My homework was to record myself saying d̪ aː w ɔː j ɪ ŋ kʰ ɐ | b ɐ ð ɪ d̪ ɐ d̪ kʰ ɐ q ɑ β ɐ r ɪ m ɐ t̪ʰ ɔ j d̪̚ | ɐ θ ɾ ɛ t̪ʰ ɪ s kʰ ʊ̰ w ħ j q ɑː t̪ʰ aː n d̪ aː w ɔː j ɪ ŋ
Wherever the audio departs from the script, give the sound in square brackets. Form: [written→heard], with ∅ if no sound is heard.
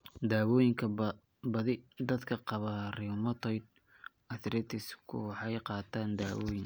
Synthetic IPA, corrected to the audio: d̪ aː w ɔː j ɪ ŋ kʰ ɐ | b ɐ ð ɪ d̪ ɐ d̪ kʰ ɐ q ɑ β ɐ r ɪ m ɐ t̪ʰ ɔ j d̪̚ | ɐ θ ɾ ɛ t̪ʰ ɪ s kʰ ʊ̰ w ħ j q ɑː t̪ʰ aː n d̪ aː w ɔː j ɪ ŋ